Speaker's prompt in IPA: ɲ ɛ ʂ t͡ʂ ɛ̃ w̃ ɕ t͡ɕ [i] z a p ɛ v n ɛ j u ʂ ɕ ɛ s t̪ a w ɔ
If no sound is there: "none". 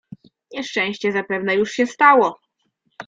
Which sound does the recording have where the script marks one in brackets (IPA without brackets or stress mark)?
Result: ɛ